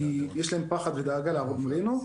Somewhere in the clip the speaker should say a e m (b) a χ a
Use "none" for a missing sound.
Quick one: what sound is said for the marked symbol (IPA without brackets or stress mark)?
p